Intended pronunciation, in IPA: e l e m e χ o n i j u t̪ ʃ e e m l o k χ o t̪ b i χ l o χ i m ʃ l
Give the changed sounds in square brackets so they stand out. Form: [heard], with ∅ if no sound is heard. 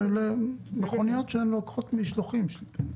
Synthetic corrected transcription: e l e m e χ o n i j [o] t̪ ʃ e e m l o k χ o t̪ [m] i [ʃ] l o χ i m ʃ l